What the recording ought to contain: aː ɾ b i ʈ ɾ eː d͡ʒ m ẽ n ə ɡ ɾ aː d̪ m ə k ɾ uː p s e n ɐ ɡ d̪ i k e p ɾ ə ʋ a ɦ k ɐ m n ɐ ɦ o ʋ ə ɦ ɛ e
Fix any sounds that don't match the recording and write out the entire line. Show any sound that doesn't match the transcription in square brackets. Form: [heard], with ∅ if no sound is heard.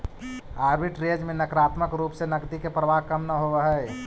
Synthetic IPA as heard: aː ɾ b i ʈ ɾ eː d͡ʒ m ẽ n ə [k] ɾ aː [t̪] m ə k ɾ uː p s e n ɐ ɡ d̪ i k e p ɾ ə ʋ a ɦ k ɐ m n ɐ ɦ o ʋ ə ɦ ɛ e